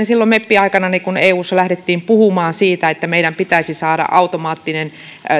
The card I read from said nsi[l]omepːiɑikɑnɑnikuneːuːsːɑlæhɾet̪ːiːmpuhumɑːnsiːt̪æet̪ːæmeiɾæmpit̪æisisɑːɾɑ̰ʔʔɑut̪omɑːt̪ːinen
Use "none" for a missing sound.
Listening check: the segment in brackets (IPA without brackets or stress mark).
lː